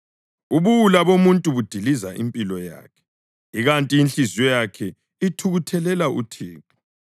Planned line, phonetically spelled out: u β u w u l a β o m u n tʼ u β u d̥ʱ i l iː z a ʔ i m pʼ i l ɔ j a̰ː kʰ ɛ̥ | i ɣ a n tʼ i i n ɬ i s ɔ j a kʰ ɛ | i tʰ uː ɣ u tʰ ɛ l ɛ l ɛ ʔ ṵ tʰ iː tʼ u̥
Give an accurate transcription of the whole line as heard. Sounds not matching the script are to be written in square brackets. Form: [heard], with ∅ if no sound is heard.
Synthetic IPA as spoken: u β u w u l a β o m u n tʼ u β u d̥ʱ i l [i] z a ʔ i m pʼ i l ɔ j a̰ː kʰ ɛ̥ | i ɣ a n tʼ i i n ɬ i [z] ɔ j a kʰ ɛ | i tʰ [u] ɣ u tʰ ɛ l ɛ l [a] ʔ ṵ tʰ iː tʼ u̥